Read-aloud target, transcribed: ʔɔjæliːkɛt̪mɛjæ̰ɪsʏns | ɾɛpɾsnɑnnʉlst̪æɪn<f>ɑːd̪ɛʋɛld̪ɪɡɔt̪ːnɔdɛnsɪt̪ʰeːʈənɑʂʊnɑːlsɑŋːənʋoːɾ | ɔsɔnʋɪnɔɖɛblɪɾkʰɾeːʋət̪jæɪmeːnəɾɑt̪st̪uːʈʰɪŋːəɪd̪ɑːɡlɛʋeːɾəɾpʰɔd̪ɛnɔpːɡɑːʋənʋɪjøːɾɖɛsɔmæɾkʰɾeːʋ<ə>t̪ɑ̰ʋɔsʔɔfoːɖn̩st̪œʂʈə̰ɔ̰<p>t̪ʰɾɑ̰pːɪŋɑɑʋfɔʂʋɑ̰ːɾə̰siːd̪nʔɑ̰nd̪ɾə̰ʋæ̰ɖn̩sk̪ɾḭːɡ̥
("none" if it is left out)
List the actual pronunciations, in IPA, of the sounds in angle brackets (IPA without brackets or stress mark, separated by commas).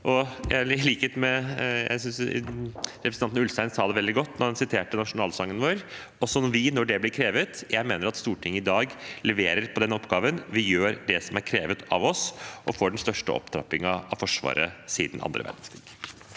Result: s, ə, p